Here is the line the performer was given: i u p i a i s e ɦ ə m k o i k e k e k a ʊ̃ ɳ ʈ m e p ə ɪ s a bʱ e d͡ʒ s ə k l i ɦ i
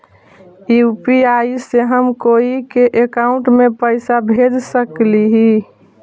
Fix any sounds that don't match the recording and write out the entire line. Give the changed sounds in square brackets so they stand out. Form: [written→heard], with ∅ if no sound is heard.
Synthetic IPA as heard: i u p i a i s e ɦ ə m k o i k e [k→ʔ] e k a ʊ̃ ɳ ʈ m e p ə ɪ s a bʱ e d͡ʒ s ə k l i ɦ i